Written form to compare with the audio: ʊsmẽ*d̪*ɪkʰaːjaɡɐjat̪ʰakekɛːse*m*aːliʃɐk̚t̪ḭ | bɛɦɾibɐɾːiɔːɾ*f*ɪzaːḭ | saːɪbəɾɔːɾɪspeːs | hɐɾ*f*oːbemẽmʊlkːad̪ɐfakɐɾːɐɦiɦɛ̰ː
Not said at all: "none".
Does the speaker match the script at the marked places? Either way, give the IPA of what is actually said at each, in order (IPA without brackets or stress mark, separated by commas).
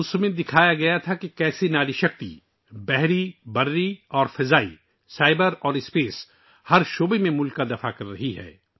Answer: d̪, n, f, ʃ